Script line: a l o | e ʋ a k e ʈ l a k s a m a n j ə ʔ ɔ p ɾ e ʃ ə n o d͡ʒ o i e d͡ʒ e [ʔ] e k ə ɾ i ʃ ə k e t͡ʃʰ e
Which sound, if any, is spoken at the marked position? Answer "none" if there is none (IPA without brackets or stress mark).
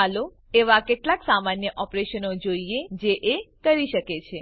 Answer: ʔ